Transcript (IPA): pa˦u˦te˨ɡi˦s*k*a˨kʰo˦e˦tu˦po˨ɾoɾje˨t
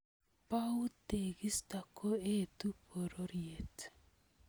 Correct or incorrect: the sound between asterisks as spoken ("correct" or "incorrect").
incorrect